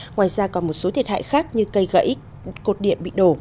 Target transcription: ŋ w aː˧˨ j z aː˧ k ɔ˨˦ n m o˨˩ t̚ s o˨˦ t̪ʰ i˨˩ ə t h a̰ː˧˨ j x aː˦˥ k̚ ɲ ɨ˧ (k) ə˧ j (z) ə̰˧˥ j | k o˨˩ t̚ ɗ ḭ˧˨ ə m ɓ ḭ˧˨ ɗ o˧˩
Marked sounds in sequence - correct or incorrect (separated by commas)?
correct, incorrect